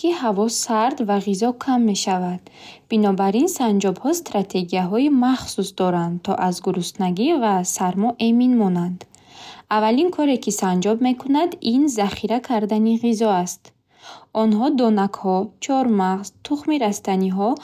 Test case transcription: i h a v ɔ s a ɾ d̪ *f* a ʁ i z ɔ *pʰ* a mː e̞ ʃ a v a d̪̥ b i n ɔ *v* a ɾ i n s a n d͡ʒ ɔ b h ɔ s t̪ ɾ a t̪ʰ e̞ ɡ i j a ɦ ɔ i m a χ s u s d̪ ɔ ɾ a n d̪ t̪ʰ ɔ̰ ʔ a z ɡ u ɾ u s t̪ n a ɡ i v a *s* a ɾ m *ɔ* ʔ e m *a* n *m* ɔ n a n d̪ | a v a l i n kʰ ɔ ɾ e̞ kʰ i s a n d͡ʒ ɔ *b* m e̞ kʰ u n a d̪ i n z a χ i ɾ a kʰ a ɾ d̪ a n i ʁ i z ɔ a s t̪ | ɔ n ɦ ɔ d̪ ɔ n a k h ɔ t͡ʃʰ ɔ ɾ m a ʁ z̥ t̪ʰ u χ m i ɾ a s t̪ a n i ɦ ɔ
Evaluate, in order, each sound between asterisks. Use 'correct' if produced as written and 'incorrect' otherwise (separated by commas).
incorrect, incorrect, incorrect, correct, correct, incorrect, correct, correct